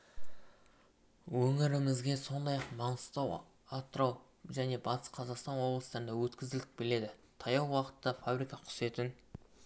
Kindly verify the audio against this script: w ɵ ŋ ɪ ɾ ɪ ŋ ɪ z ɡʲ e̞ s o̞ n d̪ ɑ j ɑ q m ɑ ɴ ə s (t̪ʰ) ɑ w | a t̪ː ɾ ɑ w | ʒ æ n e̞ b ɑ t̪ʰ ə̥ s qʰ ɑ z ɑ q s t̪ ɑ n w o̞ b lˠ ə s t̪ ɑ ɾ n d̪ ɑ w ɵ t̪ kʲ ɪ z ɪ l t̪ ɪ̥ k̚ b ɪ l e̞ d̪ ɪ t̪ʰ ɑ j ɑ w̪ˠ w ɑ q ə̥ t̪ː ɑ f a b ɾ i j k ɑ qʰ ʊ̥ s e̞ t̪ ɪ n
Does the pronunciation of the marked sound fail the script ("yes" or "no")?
yes